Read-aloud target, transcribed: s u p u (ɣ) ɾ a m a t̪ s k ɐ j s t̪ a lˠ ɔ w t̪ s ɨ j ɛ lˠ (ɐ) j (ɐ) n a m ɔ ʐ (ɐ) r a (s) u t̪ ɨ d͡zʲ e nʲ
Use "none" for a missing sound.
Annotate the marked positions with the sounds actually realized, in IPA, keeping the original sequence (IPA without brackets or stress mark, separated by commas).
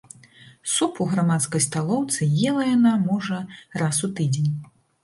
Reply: ɣ, ɐ, a, ɐ, s